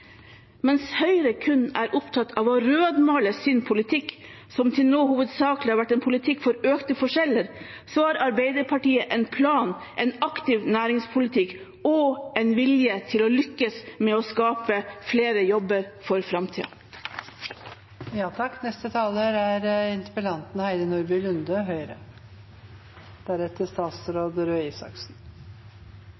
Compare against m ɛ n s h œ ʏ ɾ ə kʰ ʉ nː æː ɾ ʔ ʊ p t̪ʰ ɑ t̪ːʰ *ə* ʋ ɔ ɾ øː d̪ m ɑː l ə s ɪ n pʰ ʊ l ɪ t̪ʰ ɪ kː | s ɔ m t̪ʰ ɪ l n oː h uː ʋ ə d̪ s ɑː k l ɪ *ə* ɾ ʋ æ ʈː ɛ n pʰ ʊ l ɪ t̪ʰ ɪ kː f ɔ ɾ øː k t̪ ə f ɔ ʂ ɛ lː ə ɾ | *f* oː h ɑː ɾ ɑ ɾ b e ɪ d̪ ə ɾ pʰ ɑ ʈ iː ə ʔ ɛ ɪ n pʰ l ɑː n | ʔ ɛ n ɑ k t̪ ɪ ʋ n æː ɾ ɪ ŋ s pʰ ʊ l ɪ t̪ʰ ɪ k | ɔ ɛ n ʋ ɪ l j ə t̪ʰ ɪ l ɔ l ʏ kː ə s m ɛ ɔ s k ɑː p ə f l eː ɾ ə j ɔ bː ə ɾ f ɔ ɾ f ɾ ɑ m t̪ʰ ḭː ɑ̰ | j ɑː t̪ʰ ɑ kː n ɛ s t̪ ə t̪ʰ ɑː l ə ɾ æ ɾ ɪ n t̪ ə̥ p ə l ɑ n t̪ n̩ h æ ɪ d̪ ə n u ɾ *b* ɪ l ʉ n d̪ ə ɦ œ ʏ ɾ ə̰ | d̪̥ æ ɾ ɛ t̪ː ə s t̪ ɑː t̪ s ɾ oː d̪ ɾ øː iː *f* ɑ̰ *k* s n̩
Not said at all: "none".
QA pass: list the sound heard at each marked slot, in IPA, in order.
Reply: ɑ, ɑ, s, b, s, k

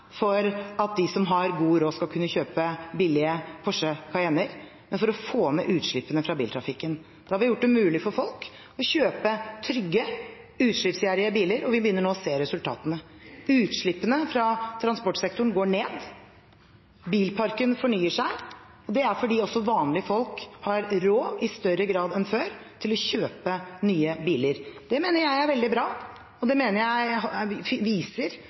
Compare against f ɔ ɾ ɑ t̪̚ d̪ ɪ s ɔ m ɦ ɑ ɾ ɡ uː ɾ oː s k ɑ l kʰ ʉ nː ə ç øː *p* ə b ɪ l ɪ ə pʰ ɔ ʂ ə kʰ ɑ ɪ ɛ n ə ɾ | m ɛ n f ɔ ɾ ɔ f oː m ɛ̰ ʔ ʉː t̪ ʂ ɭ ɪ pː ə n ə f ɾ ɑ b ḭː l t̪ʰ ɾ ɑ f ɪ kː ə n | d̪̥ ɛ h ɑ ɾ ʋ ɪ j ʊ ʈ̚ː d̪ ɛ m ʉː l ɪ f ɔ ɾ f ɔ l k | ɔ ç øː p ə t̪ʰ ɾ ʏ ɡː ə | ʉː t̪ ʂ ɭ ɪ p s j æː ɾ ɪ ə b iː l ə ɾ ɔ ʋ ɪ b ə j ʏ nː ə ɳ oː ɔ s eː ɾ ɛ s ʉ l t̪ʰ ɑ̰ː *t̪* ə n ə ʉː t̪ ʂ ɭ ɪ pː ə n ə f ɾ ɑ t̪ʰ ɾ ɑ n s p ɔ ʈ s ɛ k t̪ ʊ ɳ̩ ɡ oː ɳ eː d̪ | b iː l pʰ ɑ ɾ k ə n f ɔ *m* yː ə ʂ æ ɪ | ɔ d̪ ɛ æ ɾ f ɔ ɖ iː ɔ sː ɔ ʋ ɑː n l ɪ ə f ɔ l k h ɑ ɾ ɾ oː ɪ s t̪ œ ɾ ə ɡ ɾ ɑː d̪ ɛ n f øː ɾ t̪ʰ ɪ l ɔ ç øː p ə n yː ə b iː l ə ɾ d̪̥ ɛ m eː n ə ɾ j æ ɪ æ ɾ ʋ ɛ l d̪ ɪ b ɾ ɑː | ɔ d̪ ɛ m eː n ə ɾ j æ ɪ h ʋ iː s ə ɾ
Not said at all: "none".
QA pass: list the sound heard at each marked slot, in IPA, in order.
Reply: p, t̪, ɳ

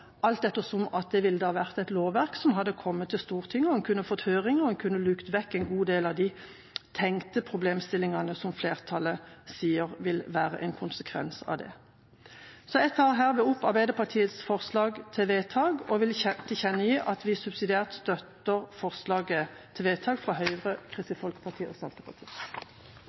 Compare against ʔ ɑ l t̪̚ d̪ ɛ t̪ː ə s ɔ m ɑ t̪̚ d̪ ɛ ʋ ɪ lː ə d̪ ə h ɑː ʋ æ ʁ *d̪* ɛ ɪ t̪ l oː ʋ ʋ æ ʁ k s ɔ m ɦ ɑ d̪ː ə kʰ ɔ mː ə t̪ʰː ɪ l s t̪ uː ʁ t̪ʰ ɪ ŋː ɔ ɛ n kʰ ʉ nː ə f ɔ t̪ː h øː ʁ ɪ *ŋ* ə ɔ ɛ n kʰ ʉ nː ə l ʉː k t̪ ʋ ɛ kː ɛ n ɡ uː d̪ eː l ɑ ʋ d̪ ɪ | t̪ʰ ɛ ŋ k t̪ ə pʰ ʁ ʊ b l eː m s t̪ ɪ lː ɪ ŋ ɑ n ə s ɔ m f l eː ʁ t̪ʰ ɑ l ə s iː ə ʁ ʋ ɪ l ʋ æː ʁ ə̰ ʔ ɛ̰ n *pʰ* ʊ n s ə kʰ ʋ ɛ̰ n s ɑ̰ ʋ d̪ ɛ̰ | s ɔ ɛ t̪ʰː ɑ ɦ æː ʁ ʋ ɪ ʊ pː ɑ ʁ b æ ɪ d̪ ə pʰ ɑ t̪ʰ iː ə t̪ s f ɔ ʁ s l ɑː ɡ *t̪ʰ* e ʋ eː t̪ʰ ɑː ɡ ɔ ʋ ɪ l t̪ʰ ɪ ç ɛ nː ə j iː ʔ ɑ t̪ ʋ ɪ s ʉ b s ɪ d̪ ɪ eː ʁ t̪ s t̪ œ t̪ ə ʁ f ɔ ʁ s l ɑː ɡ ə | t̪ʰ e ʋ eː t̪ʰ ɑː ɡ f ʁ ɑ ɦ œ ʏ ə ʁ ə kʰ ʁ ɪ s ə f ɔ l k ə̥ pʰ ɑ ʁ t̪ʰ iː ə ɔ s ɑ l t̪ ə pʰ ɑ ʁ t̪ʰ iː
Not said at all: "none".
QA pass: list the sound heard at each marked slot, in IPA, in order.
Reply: t̪, ŋ, kʰ, t̪ʰ

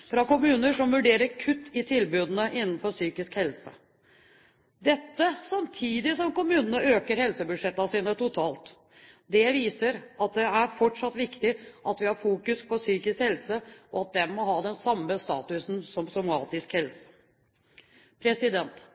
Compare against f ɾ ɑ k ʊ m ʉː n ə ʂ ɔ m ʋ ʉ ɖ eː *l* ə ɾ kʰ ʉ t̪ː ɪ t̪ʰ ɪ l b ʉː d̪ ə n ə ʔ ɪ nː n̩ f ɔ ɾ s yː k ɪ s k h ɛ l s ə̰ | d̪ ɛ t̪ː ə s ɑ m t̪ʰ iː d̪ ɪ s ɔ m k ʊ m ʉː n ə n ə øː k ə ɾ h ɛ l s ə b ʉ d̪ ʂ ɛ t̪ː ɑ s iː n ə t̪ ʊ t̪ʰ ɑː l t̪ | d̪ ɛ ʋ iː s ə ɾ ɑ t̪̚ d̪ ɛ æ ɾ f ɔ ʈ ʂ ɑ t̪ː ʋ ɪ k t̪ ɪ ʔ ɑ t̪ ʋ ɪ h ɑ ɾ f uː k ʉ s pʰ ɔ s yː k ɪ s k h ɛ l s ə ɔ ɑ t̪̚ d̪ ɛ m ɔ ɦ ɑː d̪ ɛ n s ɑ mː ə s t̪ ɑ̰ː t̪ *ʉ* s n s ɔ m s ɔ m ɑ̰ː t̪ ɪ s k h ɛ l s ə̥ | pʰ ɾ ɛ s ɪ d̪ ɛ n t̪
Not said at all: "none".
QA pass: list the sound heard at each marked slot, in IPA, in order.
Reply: ɾ, ʉ

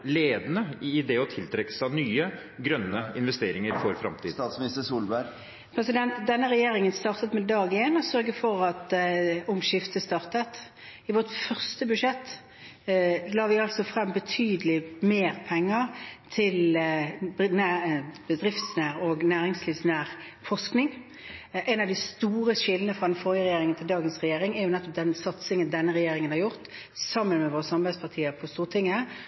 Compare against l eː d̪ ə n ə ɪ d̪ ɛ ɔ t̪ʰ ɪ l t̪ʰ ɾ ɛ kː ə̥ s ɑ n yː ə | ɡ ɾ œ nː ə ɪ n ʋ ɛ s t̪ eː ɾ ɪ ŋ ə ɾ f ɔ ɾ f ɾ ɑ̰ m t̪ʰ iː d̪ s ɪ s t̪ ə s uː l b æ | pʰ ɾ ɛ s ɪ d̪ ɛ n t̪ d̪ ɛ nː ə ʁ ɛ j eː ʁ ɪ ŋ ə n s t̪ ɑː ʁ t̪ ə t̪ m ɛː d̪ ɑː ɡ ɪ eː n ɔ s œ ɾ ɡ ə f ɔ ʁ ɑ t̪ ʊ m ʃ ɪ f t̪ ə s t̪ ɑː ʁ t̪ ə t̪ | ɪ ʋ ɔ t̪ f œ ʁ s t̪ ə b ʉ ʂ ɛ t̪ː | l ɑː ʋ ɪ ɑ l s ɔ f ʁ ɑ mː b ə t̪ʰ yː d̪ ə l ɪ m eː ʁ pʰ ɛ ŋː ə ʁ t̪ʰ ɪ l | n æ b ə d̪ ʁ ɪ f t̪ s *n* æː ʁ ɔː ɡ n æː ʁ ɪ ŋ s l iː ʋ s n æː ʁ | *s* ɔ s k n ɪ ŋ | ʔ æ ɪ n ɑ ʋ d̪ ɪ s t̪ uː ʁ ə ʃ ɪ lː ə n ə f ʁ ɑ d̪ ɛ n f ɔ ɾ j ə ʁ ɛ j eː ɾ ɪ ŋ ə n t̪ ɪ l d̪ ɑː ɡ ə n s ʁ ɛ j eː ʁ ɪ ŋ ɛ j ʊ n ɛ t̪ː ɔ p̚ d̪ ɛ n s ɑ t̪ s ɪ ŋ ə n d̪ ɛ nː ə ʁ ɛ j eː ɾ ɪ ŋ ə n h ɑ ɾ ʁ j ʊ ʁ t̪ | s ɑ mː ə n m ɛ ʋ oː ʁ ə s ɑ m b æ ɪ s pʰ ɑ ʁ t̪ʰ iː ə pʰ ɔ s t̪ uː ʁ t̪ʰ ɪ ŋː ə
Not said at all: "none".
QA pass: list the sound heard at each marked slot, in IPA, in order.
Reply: n, f

